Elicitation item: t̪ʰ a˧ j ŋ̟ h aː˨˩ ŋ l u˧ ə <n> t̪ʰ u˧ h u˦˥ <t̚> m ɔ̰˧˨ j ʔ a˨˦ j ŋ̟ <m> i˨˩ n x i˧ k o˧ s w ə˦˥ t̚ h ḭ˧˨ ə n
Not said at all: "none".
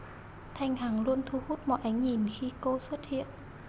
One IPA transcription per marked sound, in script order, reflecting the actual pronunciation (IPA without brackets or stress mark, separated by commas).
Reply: n, t̚, ɲ